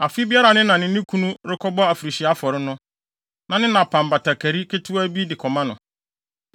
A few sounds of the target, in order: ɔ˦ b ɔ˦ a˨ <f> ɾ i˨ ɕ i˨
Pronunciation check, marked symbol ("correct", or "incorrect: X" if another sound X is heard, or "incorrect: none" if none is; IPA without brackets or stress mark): correct